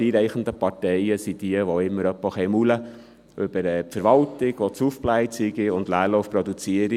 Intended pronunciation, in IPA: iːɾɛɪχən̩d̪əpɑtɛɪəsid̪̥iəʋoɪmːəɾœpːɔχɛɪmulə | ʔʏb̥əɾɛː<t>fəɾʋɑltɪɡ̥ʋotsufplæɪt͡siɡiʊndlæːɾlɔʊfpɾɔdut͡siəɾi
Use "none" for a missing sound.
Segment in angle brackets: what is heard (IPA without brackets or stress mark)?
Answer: p